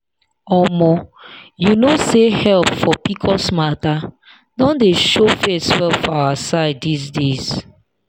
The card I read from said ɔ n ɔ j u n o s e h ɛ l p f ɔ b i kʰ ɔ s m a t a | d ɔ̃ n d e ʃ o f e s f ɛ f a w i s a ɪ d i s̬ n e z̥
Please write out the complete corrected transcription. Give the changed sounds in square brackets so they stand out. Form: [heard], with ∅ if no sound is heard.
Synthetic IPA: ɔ [m] ɔ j u n o s e h ɛ l p f ɔ [p] i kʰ ɔ s m a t a | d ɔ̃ n d e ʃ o f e s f ɛ f a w [a] s a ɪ d i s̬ [d] e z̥